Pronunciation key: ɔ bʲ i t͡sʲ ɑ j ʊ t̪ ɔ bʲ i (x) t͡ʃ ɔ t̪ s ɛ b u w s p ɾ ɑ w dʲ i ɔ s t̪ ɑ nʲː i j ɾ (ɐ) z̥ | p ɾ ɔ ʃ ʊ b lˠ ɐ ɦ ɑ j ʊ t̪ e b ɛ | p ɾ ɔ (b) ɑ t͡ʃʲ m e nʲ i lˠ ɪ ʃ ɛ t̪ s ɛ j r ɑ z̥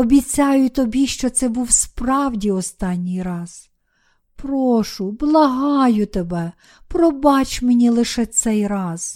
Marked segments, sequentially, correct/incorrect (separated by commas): incorrect, incorrect, correct